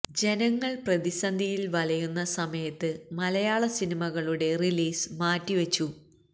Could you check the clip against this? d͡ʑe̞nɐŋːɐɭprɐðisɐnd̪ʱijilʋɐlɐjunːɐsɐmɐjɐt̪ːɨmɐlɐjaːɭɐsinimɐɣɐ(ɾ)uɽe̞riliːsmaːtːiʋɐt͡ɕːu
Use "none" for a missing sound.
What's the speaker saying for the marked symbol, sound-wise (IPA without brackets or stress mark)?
ɭ